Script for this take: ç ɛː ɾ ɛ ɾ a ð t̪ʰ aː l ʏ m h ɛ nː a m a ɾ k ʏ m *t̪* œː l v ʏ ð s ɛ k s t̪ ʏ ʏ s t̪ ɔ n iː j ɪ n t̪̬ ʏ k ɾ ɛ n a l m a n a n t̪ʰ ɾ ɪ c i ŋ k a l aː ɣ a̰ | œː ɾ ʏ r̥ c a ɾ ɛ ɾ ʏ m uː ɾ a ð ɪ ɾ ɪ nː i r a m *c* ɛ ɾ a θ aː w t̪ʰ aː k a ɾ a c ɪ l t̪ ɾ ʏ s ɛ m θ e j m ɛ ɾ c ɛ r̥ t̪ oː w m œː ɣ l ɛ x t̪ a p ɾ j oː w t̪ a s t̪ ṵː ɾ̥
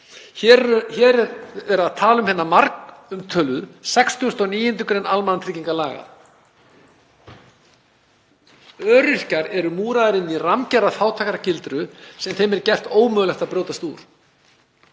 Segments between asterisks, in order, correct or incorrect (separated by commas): incorrect, correct